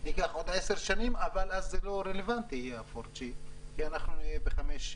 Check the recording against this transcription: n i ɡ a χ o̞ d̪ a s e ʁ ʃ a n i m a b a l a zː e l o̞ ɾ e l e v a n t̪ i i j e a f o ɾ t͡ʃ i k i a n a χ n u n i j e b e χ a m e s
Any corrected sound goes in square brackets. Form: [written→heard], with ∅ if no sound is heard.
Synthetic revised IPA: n i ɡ a χ o̞ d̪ [a→e] s e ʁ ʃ a n i m a [b→v] a l a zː e l o̞ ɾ e l e v a n t̪ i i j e a f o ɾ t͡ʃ i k i a n a χ n u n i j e b e χ a m e [s→ʃ]